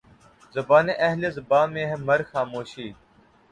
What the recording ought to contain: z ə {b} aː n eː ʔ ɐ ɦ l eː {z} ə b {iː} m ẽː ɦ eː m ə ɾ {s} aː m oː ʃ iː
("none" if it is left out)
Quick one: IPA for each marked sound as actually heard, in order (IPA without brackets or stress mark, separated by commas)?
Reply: b, z, aː, x